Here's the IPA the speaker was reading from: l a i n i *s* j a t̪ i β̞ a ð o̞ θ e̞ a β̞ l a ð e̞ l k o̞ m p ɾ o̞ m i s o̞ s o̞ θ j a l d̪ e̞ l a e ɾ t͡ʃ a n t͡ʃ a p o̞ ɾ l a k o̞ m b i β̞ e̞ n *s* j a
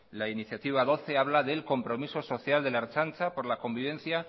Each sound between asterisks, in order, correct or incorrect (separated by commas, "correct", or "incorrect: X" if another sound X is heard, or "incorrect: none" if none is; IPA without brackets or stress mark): incorrect: θ, incorrect: θ